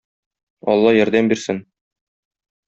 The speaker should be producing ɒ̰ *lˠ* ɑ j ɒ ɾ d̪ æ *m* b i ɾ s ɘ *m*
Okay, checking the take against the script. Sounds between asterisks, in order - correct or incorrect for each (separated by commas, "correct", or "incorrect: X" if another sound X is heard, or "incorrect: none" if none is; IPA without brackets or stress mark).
incorrect: lˠː, correct, incorrect: n